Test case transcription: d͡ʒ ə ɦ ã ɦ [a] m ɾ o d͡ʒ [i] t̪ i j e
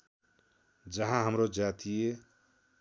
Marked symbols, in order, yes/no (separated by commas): no, no